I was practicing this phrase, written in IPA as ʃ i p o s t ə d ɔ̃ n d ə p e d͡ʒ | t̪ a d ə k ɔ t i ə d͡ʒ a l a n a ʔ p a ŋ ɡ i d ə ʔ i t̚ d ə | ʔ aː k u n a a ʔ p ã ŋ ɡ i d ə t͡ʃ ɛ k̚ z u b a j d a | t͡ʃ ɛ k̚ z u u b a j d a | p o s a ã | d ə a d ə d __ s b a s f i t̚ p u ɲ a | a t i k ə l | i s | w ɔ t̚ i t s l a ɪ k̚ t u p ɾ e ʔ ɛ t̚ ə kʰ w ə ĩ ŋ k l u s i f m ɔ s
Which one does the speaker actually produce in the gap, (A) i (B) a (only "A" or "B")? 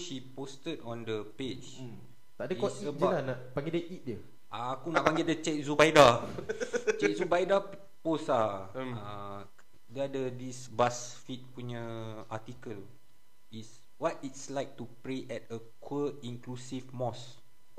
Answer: A